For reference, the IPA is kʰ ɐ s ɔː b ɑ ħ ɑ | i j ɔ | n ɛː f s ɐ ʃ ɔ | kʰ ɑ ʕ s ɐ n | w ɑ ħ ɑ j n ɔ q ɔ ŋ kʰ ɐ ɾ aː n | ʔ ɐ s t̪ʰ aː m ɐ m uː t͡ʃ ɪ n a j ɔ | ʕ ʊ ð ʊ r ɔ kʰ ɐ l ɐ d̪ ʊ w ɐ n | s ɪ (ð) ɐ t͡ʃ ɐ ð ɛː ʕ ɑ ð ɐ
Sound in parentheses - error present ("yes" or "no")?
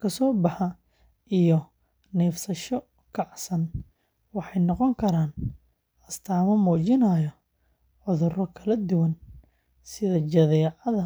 no